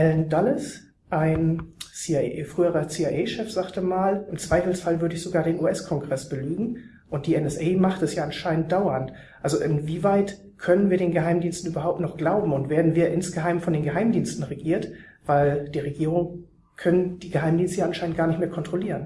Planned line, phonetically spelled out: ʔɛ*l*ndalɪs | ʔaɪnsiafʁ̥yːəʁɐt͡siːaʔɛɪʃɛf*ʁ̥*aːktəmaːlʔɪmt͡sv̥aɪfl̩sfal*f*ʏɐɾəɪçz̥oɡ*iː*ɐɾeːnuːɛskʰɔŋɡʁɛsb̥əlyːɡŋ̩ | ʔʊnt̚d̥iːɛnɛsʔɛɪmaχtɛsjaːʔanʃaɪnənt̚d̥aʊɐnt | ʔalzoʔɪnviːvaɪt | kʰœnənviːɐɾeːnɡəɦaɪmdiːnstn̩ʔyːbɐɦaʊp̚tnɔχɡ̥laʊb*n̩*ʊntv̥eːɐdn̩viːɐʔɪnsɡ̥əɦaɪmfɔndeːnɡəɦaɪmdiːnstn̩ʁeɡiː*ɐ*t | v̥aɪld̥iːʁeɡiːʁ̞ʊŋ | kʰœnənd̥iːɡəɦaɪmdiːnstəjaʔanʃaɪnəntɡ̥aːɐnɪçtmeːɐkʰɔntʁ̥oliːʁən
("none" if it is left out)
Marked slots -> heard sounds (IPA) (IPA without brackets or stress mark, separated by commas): l, z̥, v, aː, m̩, ɐ